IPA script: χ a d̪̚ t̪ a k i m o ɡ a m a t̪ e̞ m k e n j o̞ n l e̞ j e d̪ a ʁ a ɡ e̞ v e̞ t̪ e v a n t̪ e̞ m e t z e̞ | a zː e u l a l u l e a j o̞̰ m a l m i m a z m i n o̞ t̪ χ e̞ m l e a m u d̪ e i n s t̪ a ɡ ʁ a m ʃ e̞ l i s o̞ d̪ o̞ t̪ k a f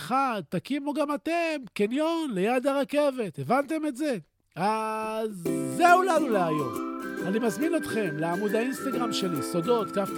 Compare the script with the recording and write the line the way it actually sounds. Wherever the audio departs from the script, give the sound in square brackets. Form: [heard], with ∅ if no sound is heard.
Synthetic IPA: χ a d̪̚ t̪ a k i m o ɡ a m a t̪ e̞ m k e n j o̞ n l e̞ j [a] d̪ a ʁ a [k] e̞ v e̞ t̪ e v a n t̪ e̞ m e t z e̞ | a zː e u l a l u l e a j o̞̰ m a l [n] i m a z m i n o̞ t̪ χ e̞ m l e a m u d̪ [a] i n s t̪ a ɡ ʁ a m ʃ e̞ l i s o̞ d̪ o̞ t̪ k a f